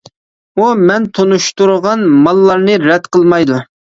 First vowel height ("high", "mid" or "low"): high